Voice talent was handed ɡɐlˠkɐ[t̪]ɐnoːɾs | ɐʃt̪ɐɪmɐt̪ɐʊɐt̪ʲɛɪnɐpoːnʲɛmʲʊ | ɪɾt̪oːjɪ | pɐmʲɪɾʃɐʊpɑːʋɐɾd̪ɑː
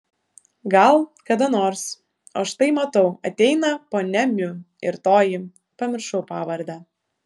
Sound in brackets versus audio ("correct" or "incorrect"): incorrect